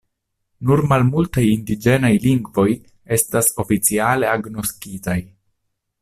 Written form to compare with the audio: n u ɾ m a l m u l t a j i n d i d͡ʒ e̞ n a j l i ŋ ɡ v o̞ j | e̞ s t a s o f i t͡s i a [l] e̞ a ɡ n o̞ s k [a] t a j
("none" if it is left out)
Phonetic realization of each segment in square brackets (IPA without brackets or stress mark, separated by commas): l, i